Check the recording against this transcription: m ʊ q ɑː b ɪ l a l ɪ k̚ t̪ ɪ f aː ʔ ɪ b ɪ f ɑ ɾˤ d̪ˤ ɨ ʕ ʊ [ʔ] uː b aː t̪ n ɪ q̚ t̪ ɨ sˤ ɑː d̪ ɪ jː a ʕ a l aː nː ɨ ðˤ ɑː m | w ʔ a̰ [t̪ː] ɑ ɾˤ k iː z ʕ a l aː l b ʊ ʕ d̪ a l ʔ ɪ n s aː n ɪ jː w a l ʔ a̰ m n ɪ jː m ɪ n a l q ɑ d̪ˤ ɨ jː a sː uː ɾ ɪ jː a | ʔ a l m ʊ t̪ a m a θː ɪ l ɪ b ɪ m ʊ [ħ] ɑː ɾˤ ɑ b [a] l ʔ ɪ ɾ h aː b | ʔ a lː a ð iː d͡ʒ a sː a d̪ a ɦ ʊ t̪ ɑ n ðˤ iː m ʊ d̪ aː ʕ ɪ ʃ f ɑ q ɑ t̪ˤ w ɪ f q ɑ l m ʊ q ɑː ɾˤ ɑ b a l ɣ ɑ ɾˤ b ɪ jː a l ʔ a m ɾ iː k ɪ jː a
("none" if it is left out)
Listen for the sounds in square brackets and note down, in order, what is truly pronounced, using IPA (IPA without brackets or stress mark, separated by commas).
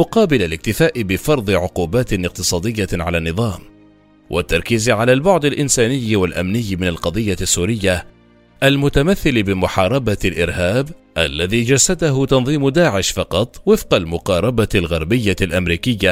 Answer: q, t̪ː, ħ, a